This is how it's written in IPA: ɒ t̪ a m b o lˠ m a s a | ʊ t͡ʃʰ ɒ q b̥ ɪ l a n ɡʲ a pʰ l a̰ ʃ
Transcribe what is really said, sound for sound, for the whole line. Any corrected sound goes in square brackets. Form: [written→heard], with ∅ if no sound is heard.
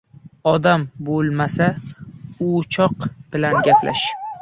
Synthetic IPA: ɒ [t̪→d̪] a m b o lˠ m a s a | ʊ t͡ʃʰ ɒ q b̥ ɪ l a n ɡʲ a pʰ l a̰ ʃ